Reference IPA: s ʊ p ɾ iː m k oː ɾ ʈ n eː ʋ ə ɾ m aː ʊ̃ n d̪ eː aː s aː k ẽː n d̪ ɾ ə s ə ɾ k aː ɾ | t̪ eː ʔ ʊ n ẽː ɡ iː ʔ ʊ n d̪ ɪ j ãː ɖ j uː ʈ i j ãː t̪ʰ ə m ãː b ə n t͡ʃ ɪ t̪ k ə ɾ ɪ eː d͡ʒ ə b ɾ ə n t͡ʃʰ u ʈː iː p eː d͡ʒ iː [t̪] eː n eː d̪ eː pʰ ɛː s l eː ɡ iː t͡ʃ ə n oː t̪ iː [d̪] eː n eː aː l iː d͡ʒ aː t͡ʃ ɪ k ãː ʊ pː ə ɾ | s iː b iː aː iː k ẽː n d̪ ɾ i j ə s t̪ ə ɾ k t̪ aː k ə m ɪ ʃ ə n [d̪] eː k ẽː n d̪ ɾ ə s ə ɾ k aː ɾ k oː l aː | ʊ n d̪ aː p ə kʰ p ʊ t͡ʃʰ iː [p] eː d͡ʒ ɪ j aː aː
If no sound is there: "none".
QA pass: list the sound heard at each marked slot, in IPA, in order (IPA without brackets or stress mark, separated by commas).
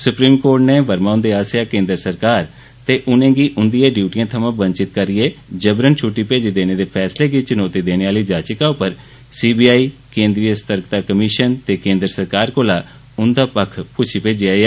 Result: d̪, d̪, t̪, p